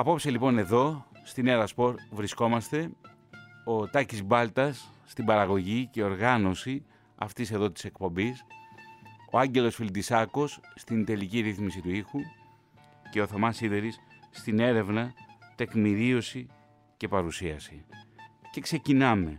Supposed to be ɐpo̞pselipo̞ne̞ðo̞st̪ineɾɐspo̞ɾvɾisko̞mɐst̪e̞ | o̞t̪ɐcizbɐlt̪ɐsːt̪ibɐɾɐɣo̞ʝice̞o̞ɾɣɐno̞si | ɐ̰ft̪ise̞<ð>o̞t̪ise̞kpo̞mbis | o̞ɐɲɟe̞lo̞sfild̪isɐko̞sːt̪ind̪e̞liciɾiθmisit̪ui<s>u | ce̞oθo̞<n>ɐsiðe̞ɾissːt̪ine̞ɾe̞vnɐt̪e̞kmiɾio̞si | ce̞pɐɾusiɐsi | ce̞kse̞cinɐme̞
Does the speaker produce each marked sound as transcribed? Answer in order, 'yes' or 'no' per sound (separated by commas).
yes, no, no